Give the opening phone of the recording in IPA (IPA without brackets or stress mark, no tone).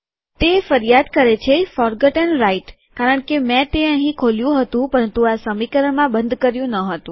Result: t̪